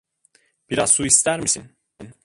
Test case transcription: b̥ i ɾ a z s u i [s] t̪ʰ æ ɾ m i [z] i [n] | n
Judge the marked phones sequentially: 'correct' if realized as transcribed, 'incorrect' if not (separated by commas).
correct, incorrect, correct